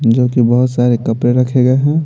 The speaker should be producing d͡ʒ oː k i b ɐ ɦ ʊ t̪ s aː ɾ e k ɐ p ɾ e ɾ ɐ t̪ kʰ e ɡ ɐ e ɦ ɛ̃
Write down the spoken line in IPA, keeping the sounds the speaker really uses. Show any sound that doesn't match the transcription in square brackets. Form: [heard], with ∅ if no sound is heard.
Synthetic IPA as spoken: d͡ʒ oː k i b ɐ ɦ ʊ t̪ s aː ɾ e k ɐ p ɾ e ɾ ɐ [∅] kʰ e ɡ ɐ e ɦ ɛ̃